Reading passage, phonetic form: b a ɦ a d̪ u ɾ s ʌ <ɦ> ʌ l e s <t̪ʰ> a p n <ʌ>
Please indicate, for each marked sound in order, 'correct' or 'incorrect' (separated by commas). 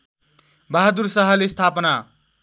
correct, correct, incorrect